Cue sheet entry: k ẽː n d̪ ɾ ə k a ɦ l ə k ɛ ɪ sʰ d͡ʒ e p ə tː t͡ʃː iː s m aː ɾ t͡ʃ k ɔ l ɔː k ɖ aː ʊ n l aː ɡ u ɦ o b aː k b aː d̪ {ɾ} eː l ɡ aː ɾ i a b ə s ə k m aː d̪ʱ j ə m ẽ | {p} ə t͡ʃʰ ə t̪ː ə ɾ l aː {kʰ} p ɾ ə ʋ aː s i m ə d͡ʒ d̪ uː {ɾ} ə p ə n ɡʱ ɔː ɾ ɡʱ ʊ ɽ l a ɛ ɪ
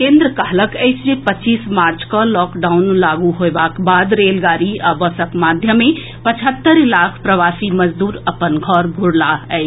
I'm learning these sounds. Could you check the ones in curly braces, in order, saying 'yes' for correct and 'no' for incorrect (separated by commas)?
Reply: yes, yes, yes, yes